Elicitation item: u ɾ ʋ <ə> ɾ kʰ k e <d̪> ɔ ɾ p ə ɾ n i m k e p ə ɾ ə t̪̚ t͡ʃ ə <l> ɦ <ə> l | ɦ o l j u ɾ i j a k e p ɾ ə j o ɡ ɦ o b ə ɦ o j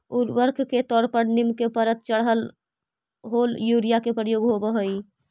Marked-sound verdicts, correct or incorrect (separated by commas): correct, incorrect, incorrect, correct